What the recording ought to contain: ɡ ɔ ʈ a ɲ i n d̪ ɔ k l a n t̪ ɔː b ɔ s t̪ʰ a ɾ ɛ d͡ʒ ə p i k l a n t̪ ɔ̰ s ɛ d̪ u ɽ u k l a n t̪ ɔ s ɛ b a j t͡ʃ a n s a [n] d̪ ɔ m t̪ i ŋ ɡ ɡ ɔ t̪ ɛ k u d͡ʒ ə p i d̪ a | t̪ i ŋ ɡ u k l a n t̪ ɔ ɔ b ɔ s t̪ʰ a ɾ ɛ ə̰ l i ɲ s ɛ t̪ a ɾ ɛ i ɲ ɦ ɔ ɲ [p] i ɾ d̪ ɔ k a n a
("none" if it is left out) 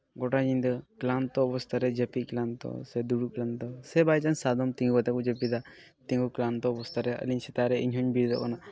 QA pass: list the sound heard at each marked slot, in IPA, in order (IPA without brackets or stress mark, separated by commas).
none, b